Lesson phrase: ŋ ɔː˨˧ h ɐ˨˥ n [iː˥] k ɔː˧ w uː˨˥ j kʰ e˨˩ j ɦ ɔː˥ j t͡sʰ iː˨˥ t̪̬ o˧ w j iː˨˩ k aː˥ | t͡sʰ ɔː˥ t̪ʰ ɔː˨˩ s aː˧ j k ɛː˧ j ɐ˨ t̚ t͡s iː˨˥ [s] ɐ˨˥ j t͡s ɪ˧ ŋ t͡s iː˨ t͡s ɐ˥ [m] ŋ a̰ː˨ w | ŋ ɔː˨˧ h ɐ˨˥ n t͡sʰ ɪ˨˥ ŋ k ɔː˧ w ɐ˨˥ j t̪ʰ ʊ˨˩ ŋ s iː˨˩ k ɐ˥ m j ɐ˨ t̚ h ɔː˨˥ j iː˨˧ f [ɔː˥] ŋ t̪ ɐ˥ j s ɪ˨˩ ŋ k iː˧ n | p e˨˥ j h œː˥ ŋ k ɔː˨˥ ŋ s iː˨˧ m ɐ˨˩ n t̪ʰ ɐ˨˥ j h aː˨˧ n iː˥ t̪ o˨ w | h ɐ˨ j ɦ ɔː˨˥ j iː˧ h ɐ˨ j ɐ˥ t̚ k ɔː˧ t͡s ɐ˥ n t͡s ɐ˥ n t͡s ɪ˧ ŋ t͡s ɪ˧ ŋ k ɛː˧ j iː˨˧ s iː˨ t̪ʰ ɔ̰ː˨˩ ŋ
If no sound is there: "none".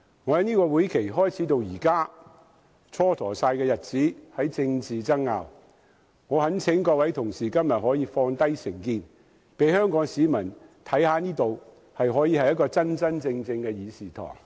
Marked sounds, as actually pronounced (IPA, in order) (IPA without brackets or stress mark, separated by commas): iː˥, h, ŋ, ɔː˧